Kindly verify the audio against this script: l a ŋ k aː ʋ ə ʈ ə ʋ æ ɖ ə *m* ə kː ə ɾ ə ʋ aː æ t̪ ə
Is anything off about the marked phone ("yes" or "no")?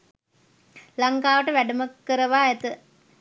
no